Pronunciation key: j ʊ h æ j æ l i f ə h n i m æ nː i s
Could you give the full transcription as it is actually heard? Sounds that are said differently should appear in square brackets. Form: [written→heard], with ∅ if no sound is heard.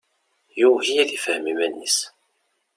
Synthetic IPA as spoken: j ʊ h [æ→i] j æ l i f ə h [n→m] i m æ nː i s